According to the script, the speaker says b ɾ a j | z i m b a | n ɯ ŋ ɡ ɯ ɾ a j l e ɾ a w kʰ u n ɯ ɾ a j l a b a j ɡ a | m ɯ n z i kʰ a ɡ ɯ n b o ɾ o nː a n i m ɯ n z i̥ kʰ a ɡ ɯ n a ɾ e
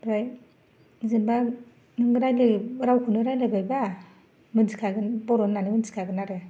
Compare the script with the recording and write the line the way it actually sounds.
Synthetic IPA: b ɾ a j | z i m b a | n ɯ ŋ ɡ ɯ ɾ a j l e ɾ a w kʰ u n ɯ ɾ a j l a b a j b a | m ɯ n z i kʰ a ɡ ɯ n b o ɾ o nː a n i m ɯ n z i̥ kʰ a ɡ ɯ n a ɾ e